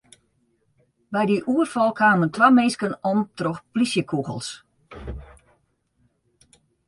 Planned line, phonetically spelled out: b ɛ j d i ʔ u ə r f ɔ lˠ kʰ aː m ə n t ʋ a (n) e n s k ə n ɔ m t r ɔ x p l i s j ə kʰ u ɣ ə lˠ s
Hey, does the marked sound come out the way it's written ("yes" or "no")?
no